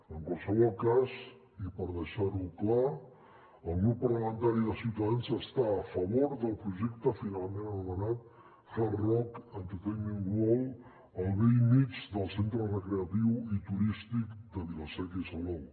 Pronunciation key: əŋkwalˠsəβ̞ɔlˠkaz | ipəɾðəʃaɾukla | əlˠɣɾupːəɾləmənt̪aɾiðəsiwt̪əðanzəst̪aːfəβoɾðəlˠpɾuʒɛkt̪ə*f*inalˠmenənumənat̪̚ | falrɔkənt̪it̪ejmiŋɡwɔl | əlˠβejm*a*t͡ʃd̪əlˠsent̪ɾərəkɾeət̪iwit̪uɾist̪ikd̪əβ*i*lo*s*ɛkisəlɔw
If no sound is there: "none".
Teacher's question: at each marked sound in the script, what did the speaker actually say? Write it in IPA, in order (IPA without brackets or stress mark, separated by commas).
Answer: f, i, i, s